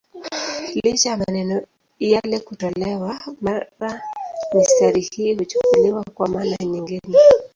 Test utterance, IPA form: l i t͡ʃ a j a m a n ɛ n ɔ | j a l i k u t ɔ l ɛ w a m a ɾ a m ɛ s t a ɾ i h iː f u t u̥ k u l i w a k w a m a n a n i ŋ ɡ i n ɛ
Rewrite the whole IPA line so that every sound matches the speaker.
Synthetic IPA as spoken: l i t͡ʃ a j a m a n ɛ n ɔ | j a l ɛ k u t ɔ l ɛ w a m a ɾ a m i s t a ɾ i h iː h u t͡ʃ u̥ k u l i w a k w a m a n a ɲ i ŋ ɡ i n ɛ